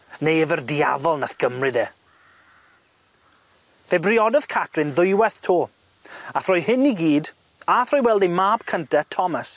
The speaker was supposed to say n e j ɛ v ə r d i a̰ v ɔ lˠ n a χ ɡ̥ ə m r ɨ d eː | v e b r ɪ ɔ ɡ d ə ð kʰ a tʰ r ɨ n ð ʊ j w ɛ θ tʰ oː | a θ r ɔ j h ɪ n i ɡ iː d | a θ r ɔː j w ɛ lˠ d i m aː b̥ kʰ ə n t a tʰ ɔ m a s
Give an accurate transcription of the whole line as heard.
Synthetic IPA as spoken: n e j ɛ v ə r d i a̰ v ɔ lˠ n a θ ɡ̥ ə m r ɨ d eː | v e b r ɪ ɔ d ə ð kʰ a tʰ r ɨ n ð ʊ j w ɛ θ tʰ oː | a θ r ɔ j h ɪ n i ɡ iː d | a θ r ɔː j w ɛ lˠ d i m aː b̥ kʰ ə n t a tʰ ɔ m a s